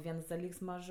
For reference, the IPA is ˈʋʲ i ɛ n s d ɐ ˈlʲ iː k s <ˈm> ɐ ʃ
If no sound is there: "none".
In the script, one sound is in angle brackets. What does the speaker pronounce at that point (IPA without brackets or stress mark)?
m